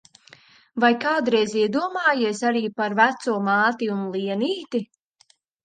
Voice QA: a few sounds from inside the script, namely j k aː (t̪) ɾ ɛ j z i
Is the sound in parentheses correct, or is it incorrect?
incorrect